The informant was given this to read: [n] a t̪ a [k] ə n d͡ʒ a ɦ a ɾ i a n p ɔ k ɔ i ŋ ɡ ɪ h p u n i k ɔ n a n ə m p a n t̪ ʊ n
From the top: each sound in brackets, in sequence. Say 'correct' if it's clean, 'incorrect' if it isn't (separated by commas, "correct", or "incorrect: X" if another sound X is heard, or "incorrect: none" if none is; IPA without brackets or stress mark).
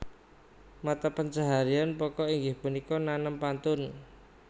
incorrect: m, incorrect: p